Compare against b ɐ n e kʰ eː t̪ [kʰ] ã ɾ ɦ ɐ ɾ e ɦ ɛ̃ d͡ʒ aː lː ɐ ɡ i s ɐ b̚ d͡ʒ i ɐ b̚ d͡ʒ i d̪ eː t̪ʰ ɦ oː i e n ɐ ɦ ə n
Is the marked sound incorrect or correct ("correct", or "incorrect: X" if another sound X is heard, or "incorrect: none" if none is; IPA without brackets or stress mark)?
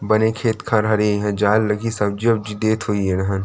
correct